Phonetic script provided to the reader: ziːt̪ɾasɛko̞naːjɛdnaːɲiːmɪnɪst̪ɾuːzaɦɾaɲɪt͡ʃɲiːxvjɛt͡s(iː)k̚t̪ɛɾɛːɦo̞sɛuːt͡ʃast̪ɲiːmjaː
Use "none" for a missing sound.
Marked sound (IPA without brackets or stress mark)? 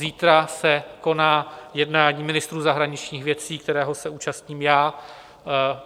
iː